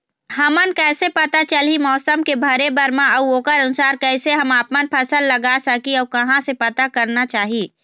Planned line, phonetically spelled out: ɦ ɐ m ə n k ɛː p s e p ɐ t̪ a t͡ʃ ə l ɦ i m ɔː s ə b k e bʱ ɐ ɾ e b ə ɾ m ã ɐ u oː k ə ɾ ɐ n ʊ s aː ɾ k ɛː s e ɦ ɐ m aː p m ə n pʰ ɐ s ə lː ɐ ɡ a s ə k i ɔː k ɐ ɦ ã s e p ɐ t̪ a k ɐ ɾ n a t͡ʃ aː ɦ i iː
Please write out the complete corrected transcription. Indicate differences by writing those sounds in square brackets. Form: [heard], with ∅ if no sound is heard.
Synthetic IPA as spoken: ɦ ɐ m ə n k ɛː [∅] s e p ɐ t̪ a t͡ʃ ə l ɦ i m ɔː s ə [m] k e bʱ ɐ ɾ e b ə ɾ m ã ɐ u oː k ə ɾ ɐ n ʊ s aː ɾ k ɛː s e ɦ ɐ m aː p m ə n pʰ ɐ s ə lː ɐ ɡ a s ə k i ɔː k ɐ ɦ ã s e p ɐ t̪ a k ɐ ɾ n a t͡ʃ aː ɦ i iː